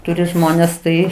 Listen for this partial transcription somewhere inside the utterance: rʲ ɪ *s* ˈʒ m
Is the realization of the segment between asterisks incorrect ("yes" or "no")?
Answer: yes